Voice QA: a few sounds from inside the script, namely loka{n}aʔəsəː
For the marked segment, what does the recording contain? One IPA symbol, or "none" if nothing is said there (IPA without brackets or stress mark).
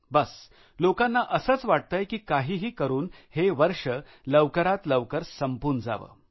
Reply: nː